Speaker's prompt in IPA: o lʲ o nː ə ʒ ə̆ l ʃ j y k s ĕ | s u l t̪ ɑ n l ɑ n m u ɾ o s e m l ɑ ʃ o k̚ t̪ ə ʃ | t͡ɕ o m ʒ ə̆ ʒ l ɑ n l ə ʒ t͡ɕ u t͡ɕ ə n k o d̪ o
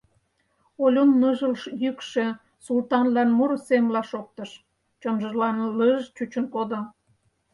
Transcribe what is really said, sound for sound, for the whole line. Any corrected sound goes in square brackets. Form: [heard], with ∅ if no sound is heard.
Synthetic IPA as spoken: o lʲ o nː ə ʒ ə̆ l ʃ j y k [ʃ] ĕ | s u l t̪ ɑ n l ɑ n m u ɾ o s e m l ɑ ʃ o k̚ t̪ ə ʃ | t͡ɕ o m ʒ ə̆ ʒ l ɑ n l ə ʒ t͡ɕ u t͡ɕ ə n k o d̪ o